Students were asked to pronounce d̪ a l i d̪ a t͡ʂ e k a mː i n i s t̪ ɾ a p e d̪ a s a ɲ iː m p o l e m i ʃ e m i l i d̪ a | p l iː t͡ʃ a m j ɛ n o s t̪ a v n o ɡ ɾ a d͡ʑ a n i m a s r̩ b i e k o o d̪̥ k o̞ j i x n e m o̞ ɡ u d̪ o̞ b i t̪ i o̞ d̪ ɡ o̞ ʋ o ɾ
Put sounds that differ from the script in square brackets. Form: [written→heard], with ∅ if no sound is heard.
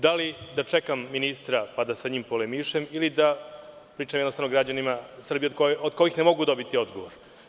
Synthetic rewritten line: d̪ a l i d̪ a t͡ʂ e k a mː i n i s t̪ ɾ a p [e→a] d̪ a s a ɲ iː m p o l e m i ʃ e m i l i d̪ a | p [l→ɾ] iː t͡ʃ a m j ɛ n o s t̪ a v n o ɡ ɾ a d͡ʑ a n i m a s r̩ b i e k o o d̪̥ k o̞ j i x n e m o̞ ɡ u d̪ o̞ b i t̪ i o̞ d̪ ɡ o̞ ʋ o ɾ